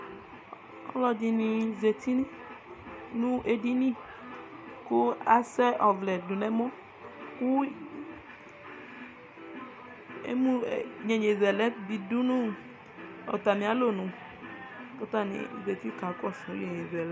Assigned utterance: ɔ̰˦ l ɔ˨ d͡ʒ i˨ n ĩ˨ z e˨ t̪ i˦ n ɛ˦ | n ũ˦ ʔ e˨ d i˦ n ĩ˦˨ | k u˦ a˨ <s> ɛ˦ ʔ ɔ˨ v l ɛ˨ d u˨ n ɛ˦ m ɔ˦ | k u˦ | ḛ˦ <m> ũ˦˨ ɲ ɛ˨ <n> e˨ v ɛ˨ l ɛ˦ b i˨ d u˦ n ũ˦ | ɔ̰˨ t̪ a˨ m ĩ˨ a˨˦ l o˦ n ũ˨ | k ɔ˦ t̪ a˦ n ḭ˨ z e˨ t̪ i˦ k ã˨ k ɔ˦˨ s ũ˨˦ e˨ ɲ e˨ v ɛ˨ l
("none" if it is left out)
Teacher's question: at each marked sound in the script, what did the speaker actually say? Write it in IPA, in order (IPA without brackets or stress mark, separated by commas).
s, m, ɲ